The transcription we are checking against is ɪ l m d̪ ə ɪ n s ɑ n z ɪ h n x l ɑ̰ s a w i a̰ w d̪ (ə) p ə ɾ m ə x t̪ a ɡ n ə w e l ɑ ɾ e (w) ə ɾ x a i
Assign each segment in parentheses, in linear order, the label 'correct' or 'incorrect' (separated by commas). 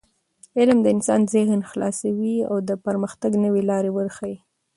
correct, correct